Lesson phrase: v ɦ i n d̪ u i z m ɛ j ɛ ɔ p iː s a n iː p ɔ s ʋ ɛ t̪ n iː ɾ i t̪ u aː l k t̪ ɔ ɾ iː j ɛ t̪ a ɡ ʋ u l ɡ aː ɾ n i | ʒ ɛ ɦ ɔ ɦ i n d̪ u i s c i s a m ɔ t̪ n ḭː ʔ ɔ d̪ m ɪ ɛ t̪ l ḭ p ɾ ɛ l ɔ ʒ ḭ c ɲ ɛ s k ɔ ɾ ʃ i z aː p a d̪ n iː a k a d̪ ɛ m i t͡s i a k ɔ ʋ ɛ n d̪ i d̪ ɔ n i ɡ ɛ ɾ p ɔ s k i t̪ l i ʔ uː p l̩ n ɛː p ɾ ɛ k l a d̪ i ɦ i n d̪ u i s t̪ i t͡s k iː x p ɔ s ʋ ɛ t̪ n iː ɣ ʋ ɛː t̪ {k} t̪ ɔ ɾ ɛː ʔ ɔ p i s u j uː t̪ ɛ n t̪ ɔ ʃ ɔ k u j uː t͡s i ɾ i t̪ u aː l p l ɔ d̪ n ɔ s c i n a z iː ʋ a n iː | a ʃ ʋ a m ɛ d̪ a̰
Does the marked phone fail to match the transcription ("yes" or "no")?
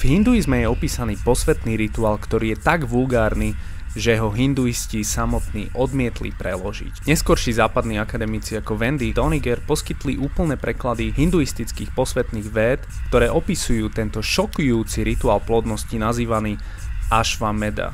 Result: no